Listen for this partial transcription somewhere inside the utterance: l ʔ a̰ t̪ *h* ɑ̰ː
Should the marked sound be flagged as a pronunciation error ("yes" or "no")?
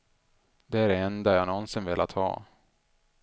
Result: no